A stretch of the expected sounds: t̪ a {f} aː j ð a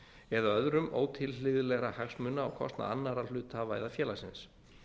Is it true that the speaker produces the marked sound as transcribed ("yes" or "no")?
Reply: no